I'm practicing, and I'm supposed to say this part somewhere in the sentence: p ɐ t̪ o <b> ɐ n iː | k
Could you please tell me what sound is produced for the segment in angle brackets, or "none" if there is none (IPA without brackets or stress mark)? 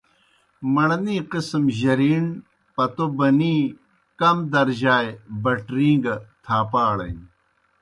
b